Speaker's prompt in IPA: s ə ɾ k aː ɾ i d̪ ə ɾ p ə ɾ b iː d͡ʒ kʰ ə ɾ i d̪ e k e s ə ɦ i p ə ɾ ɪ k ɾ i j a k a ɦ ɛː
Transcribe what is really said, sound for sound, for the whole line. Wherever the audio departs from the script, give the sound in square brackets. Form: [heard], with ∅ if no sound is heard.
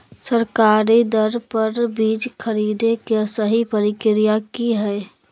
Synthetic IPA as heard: s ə ɾ k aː ɾ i d̪ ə ɾ p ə ɾ b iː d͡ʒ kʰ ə ɾ i d̪ e k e s ə ɦ i p ə ɾ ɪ k ɾ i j a k [i] ɦ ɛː